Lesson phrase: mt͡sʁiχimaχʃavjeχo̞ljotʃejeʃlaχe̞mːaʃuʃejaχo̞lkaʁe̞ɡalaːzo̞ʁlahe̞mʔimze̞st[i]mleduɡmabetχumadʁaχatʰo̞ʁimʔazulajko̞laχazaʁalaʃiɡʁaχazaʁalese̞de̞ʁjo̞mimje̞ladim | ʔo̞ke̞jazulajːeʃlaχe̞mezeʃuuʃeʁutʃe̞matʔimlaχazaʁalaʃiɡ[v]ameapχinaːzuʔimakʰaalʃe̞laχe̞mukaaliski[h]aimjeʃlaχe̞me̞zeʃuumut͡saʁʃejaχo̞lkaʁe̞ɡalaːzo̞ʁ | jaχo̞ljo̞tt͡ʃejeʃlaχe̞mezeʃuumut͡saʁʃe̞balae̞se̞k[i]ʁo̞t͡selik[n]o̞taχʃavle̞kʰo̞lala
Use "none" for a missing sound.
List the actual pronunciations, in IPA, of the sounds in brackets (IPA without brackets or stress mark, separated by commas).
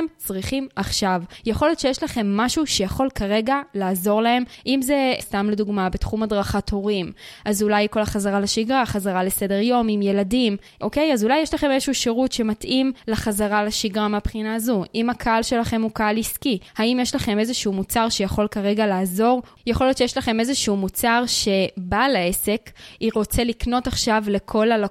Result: a, ʁ, h, i, n